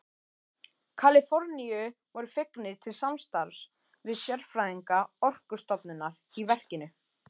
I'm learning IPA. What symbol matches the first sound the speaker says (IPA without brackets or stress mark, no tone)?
kʰ